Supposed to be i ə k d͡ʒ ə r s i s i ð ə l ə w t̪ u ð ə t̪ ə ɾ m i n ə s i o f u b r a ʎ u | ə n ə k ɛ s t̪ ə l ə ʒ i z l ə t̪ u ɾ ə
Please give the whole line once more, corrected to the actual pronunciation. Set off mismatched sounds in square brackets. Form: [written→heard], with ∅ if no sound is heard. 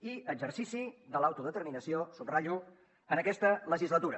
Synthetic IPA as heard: i ə [k→ɡ] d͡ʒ ə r s i s i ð ə l [ə→a] w t̪ u ð ə t̪ ə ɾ m i n ə s i o [f→s] u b r a ʎ u | ə n ə k ɛ s t̪ ə l ə ʒ i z l ə t̪ u ɾ ə